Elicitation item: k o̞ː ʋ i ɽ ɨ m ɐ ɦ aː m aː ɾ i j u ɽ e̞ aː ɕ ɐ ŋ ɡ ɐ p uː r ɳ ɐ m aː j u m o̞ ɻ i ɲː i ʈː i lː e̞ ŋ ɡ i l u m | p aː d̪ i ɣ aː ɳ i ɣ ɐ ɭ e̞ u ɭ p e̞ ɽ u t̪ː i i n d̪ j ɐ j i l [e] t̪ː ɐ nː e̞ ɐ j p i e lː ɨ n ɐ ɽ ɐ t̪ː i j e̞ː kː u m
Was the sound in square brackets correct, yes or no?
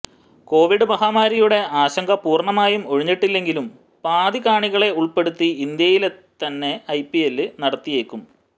yes